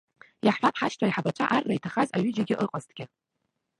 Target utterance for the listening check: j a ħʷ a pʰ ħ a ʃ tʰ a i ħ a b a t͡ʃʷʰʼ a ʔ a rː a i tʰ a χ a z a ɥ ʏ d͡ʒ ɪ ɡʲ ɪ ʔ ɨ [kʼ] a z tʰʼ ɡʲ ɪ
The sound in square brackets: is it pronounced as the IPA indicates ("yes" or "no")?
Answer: no